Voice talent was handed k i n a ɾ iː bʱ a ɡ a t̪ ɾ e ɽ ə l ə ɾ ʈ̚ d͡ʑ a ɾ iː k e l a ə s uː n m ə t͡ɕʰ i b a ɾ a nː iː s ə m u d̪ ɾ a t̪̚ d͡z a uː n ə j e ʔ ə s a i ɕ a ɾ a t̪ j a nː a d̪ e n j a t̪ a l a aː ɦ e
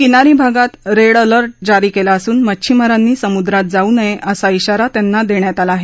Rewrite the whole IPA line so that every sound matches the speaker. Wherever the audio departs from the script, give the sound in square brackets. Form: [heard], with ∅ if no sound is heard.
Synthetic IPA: k i n a ɾ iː bʱ a ɡ a t̪ ɾ e ɽ ə l ə ɾ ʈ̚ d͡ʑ a ɾ iː k e l a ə s uː n m ə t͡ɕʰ i [m] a ɾ a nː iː s ə m u d̪ ɾ a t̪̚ d͡z a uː n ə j e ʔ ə s a i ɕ a ɾ a t̪ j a nː a d̪ e [ɳ] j a t̪ a l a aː ɦ e